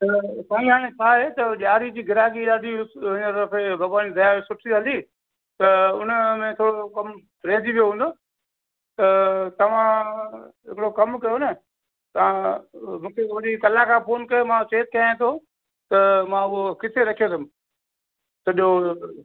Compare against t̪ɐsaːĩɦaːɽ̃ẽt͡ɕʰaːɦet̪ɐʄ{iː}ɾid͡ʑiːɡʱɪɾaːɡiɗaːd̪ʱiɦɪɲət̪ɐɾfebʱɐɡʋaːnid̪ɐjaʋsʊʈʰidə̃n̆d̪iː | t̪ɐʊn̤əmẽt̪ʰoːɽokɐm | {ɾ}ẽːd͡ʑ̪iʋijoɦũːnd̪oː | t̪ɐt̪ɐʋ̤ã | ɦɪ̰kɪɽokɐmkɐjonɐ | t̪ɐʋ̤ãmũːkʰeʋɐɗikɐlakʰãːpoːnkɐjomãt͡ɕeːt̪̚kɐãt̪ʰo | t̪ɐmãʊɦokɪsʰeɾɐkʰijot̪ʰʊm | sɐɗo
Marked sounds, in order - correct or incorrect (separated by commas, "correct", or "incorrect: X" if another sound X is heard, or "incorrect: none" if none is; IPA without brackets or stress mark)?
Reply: incorrect: aː, correct